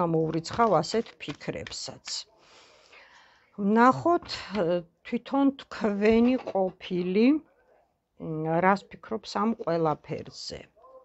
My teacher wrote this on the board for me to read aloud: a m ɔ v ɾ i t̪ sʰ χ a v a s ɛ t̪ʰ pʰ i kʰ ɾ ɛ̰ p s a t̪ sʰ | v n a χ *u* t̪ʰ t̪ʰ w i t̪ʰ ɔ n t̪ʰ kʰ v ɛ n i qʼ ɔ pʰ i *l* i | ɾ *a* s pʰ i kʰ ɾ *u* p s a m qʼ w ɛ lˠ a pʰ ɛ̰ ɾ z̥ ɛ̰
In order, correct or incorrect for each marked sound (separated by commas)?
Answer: incorrect, correct, correct, incorrect